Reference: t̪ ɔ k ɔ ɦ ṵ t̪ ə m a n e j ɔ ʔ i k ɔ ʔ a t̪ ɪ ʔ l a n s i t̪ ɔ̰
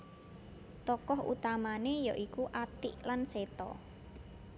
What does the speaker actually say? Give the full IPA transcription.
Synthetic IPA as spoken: t̪ ɔ k ɔ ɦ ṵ t̪ a m a n e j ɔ ʔ i k u ʔ a t̪ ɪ ʔ l a n s e t̪ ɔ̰